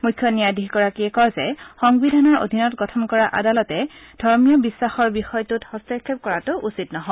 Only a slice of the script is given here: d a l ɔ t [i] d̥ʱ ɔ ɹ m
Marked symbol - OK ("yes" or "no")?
no